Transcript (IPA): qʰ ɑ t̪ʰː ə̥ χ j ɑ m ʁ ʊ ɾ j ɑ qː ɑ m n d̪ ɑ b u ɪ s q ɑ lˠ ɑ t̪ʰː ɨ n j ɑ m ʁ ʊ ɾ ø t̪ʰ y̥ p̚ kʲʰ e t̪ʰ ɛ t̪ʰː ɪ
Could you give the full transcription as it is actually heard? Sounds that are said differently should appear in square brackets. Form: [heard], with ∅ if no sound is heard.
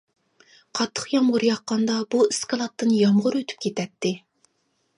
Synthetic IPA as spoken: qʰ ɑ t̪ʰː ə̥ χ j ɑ m ʁ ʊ ɾ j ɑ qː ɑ [∅] n d̪ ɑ b u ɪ s [k] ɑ lˠ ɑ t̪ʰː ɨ n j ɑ m ʁ ʊ ɾ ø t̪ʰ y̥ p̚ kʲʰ e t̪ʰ ɛ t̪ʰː ɪ